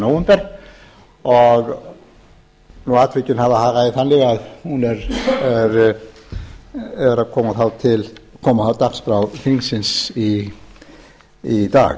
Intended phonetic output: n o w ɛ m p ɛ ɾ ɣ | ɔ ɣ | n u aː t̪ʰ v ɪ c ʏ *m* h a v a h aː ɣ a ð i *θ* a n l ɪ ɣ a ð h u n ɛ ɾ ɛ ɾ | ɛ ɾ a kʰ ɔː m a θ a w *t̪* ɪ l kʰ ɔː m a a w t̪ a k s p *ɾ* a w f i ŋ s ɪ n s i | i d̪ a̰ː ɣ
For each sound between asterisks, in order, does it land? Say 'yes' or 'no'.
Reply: no, yes, no, yes

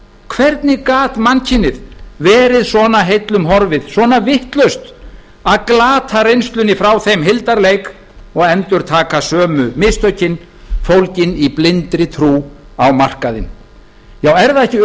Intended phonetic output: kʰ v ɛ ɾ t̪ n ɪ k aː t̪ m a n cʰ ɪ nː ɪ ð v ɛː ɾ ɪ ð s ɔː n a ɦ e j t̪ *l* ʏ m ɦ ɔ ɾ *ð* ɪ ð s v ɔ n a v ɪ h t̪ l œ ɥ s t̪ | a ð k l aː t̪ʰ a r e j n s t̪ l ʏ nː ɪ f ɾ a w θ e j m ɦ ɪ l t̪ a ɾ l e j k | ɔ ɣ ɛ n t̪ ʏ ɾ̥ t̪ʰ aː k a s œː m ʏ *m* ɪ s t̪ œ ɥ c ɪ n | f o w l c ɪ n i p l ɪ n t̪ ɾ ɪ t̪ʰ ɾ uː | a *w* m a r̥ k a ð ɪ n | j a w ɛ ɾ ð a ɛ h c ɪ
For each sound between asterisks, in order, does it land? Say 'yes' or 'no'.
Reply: yes, no, yes, yes

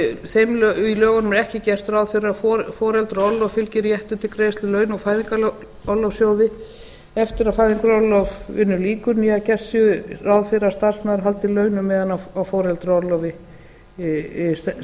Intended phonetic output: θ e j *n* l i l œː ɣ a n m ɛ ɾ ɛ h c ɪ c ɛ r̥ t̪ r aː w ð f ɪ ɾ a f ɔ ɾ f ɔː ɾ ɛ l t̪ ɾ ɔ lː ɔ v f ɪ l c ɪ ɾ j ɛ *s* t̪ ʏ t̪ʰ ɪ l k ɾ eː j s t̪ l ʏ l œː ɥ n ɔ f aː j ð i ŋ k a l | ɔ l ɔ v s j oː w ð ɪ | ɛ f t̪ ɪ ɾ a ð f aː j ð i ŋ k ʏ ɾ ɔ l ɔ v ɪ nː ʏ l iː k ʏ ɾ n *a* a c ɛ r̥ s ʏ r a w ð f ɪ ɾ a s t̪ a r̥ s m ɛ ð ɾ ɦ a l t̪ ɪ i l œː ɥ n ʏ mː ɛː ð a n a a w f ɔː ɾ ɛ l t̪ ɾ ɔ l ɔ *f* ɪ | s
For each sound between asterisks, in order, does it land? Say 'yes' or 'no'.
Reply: no, no, no, no

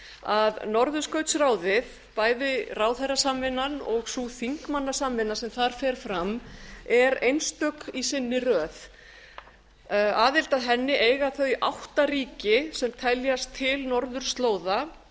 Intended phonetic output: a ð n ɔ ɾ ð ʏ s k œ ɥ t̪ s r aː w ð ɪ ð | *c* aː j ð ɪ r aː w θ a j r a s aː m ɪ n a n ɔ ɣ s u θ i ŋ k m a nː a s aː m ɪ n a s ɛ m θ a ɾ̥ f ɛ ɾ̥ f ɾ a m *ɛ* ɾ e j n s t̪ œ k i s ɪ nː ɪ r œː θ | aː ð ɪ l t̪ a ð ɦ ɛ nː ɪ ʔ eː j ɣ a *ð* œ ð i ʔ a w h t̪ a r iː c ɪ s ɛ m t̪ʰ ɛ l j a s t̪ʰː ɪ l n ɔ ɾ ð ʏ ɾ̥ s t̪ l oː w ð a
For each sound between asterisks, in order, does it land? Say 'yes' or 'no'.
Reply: no, yes, no

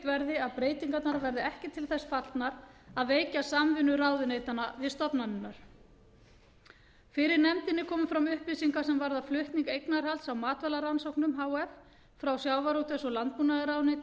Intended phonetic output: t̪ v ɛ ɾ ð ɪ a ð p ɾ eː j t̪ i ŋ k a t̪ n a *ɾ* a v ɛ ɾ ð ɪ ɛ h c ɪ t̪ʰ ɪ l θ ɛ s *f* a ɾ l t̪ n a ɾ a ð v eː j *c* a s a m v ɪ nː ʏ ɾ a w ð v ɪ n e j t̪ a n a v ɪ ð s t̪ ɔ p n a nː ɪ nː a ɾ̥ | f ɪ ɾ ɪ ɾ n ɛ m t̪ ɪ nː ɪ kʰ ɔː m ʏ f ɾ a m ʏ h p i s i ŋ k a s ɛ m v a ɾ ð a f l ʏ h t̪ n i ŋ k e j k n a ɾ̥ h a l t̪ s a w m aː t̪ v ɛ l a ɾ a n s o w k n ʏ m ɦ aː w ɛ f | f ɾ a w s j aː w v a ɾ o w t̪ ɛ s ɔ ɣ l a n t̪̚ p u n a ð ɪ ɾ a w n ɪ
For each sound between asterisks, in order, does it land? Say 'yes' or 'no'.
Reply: yes, yes, yes

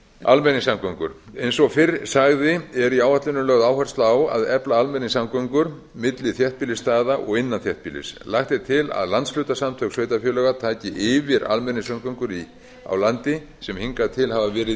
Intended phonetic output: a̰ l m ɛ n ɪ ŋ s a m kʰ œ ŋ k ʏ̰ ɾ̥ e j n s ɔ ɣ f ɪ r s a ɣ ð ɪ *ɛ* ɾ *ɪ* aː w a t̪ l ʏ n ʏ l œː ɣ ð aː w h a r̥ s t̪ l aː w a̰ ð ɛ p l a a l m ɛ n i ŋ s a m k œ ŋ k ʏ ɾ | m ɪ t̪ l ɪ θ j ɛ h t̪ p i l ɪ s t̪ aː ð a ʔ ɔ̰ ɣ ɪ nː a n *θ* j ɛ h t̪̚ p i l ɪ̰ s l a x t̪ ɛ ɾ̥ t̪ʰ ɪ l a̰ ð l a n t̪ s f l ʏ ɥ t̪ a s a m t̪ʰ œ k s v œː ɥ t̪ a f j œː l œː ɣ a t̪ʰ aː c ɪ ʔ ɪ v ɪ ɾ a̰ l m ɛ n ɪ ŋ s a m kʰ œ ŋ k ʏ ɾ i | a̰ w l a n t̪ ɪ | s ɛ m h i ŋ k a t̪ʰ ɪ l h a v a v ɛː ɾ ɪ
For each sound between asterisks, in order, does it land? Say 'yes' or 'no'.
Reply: yes, no, yes

